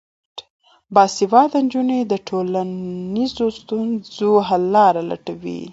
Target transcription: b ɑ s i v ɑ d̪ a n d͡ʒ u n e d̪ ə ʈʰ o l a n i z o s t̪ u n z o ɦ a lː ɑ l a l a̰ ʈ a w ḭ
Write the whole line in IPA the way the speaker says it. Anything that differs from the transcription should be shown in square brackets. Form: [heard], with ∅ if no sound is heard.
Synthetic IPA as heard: b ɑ s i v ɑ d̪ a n d͡ʒ u n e d̪ ə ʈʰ o l a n i z o s t̪ u n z o ɦ a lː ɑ [ɾ] a l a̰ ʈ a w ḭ